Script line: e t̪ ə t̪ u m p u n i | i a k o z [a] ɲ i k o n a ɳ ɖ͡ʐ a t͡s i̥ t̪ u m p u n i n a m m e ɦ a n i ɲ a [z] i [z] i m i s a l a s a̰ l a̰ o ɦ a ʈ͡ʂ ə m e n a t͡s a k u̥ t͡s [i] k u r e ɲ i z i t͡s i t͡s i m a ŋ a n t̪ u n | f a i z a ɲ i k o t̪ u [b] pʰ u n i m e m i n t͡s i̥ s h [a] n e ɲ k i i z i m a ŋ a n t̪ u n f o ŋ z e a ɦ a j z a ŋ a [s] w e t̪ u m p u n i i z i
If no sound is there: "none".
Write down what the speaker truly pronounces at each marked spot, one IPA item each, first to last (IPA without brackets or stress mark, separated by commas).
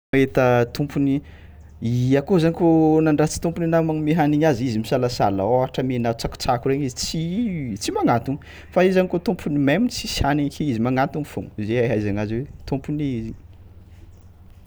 a, z, z, a, m, a, z